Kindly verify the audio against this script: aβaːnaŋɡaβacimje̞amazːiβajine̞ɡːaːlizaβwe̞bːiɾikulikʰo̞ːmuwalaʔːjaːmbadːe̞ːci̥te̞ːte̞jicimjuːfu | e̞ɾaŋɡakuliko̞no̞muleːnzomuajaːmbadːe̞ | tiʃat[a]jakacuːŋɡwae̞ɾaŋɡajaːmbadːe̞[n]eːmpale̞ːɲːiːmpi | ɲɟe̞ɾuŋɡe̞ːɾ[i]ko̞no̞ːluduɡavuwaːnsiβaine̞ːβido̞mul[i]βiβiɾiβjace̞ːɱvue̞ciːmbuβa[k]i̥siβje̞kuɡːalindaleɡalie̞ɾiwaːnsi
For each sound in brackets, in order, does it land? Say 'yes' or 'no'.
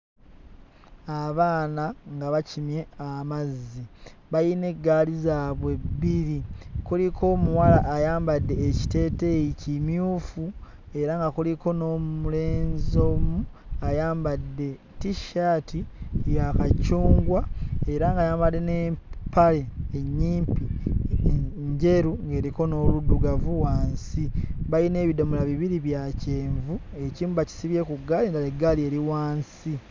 no, yes, yes, no, no

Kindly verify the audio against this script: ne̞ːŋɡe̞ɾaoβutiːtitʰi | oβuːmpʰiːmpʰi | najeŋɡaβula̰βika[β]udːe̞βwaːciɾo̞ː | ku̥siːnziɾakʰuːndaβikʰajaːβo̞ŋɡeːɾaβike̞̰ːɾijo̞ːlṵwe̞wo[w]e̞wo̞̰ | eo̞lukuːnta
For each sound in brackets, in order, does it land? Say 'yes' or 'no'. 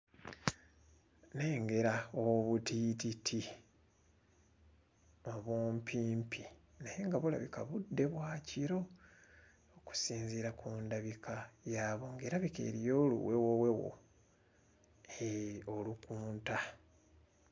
yes, yes

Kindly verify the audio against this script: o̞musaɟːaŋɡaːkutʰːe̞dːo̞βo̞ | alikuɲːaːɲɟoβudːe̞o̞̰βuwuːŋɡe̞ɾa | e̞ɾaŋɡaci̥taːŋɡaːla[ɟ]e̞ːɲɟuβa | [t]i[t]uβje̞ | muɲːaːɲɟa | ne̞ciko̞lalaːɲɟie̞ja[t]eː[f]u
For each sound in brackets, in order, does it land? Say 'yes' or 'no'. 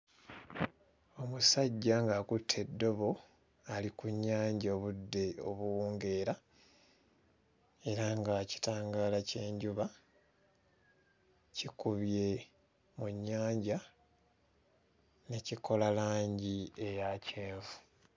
no, no, no, no, no

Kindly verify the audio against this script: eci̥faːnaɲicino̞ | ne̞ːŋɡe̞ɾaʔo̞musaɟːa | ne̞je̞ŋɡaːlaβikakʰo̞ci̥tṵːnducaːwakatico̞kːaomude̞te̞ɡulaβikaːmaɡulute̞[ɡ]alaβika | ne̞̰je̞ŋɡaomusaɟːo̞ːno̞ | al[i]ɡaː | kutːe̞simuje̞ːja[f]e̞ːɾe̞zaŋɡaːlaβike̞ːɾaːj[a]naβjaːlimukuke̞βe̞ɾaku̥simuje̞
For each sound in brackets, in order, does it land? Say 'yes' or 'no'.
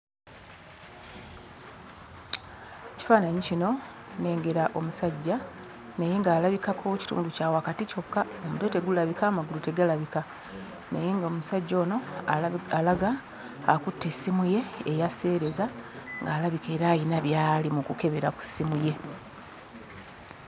yes, no, no, no

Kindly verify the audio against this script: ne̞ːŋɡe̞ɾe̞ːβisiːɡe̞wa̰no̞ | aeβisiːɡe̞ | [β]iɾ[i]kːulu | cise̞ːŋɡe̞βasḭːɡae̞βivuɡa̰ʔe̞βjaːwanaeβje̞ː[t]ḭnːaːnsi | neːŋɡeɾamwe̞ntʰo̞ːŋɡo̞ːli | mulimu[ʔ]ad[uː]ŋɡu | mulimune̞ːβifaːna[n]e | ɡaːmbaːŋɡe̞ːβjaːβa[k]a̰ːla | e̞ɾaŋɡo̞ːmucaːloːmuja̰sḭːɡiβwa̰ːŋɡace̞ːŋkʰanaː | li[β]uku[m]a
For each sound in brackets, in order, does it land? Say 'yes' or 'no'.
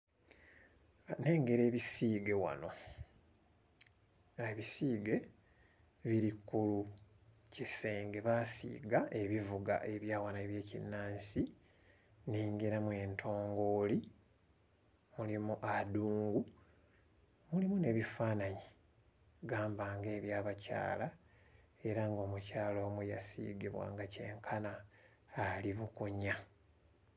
yes, yes, no, yes, yes, no, no, yes, no

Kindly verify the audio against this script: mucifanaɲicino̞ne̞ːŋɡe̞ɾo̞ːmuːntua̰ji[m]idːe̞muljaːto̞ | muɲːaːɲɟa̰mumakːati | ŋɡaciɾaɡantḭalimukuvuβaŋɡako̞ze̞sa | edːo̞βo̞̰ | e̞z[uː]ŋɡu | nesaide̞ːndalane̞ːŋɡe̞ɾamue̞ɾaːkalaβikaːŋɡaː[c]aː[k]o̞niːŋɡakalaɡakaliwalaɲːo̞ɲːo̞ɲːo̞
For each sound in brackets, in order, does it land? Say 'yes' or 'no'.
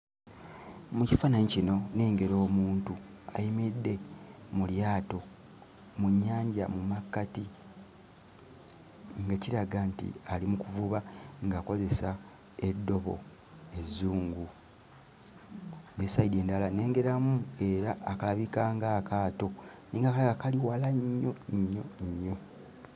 yes, yes, no, no

